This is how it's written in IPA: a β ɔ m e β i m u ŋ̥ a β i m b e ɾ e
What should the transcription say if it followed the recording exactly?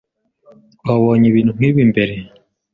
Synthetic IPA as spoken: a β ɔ ɲ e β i n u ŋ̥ i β i m b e ɾ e

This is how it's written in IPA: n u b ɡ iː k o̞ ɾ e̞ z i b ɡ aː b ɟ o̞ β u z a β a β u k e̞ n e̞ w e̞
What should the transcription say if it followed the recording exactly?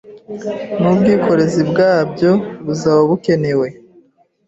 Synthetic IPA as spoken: n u b ɡ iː k o̞ ɾ e̞ z i b ɡ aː b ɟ o̞ β u z a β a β u k e̞ n e̞ w e̞

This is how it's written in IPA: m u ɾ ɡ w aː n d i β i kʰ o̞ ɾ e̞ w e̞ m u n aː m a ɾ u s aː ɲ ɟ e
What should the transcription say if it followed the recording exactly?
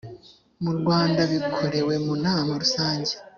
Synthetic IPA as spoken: m u ɾ ɡ w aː n d a β i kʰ o̞ ɾ e̞ w e̞ m u n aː m a ɾ u s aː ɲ ɟ e

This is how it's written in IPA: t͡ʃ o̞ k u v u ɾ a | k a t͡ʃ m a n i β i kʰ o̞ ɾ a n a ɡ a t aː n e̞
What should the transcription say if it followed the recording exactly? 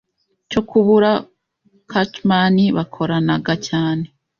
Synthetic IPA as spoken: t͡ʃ o̞ k u β u ɾ a | k a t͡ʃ m a n i β a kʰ o̞ ɾ a n a ɡ a c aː n e̞

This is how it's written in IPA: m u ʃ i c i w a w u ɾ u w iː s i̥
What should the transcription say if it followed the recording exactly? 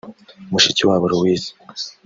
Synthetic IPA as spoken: m u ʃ i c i w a β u ɾ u w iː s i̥

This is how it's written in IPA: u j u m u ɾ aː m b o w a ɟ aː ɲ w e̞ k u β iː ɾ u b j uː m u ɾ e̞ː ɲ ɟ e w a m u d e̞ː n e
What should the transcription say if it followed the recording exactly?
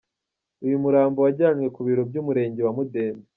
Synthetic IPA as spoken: u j u m u ɾ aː m b o w a ɟ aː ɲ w e̞ k u β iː ɾ o b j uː m u ɾ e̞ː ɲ ɟ e w a m u d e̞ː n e

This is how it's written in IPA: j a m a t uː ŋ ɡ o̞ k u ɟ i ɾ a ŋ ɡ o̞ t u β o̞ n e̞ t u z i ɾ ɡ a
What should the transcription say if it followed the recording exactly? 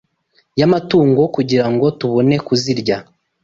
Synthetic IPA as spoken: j a m a t uː ŋ ɡ o̞ k u ɟ i ɾ a ŋ ɡ o̞ t u β o̞ n e̞ k u z i ɾ ɟ a

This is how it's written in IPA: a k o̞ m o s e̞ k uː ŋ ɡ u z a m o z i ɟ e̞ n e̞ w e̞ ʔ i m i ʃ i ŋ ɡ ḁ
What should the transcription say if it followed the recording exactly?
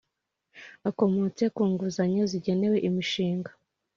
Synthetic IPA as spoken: a k o̞ m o t͡s e̞ k uː ŋ ɡ u z a ɲ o z i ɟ e̞ n e̞ w e̞ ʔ i m i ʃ iː ŋ ɡ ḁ

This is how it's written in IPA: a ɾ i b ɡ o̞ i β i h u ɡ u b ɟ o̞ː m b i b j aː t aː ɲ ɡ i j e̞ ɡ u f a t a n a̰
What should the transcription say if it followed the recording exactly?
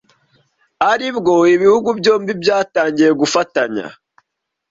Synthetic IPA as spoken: a ɾ i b ɡ o̞ i β i h u ɡ u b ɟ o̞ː m b i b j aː t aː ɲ ɟ i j e̞ ɡ u f a t a ɲ a̰

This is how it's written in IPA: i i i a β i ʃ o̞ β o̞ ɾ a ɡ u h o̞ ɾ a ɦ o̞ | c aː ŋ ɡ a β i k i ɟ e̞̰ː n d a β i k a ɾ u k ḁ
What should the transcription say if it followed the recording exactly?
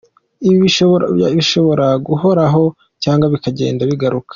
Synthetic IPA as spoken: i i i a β i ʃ o̞ β o̞ ɾ a ɡ u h o̞ ɾ a ɦ o̞ | c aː ŋ ɡ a β i k a ɟ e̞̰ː n d a β i ɡ a ɾ u k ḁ

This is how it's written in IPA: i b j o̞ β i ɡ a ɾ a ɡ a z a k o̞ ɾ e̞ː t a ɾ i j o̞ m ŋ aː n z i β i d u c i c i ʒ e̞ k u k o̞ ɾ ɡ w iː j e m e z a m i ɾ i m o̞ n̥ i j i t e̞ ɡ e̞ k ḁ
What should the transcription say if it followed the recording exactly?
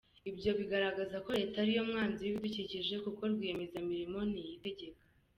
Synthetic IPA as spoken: i b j o̞ β i ɡ a ɾ a ɡ a z a k o̞ ɾ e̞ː t a ɾ i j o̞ m ŋ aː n z i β i d u c i c i ʒ e̞ k u k o̞ ɾ ɡ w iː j e m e z a m i ɾ i m o̞ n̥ i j i t e̞ ɟ e̞ k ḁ

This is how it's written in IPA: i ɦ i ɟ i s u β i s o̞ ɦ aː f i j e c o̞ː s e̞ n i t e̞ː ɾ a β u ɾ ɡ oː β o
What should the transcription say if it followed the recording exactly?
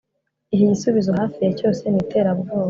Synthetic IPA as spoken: i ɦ i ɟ i s u β i z o̞ ɦ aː f i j e c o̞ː s e̞ n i t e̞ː ɾ a β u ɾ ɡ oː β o

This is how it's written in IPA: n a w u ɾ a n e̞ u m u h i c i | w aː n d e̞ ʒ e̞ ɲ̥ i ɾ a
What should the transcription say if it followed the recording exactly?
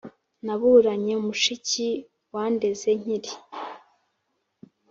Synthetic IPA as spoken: n a β u ɾ a ɲ e̞ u m u ʃ i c i | w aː n d e̞ z e̞ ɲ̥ i ɾ i

